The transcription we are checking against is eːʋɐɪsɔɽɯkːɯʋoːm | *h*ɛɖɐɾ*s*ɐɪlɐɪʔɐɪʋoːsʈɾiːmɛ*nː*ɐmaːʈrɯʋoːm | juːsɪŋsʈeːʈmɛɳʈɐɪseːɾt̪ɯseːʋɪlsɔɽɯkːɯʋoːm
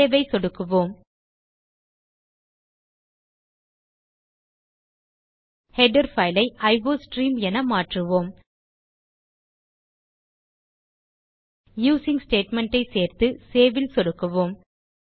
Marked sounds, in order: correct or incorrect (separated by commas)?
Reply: correct, incorrect, incorrect